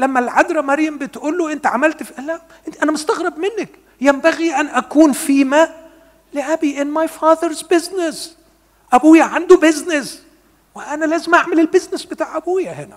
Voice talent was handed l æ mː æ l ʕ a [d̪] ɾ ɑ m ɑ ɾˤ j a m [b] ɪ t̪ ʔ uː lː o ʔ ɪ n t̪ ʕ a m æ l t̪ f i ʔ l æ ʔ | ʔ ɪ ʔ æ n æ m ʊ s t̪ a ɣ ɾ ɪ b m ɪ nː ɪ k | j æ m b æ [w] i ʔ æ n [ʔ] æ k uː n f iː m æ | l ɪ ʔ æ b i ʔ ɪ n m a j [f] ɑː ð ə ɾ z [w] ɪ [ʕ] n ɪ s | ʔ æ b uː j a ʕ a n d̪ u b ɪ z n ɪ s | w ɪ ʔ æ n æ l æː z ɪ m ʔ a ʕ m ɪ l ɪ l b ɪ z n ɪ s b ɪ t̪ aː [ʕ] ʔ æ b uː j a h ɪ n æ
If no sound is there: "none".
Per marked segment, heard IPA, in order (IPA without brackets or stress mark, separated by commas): d̪, b, ɣ, ʔ, f, b, z, ʕ